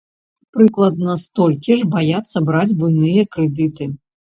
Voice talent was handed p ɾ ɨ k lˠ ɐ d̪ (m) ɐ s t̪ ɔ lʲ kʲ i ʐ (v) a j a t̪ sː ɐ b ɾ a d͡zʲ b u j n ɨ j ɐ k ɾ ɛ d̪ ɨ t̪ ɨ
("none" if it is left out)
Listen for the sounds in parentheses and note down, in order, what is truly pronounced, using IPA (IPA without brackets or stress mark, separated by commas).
n, b